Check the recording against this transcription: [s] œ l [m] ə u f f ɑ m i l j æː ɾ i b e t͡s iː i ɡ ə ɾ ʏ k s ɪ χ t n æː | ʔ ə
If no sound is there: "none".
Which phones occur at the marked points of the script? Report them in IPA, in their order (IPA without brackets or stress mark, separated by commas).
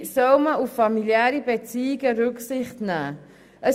s, m